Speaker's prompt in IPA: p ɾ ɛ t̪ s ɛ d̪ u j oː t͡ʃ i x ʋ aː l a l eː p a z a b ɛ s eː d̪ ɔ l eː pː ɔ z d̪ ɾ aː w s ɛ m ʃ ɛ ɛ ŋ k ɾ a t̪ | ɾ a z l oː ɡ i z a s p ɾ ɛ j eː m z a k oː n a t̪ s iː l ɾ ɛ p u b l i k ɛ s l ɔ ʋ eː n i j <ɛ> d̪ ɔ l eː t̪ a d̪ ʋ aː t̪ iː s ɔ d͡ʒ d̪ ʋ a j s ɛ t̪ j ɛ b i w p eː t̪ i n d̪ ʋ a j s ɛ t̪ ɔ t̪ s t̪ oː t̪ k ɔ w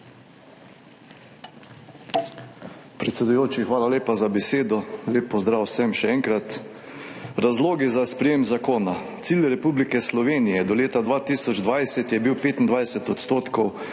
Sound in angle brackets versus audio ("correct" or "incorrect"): correct